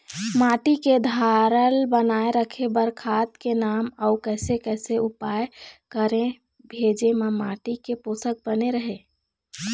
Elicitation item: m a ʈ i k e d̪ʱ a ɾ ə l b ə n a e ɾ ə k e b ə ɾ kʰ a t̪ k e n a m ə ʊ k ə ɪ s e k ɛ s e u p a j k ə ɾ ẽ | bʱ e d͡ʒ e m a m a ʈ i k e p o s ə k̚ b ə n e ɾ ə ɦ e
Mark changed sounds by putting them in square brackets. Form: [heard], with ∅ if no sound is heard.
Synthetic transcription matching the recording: m a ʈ i k e d̪ʱ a ɾ ə l b ə n a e ɾ ə [kʰ] e b ə ɾ kʰ a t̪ k e n a m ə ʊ k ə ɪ s e k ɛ s e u p a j k ə ɾ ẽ | bʱ e d͡ʒ e m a m a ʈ i k e p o s ə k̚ b ə n e ɾ ə ɦ e